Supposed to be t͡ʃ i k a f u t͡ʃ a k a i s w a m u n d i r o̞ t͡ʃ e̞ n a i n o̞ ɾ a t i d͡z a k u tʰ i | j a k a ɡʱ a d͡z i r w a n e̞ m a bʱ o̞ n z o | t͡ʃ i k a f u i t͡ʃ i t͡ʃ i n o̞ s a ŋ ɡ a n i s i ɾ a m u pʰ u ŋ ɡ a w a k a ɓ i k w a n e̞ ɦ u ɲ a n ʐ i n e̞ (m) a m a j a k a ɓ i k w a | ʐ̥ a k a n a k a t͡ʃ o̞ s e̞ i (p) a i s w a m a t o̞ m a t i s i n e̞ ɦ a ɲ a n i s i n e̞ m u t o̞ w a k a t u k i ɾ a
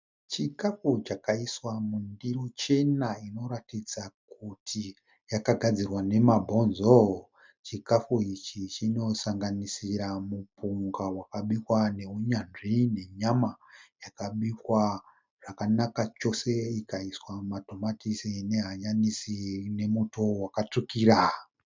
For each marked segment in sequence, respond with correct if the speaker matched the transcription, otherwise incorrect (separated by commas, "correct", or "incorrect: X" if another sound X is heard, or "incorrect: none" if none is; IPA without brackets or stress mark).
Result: incorrect: ɲ, incorrect: k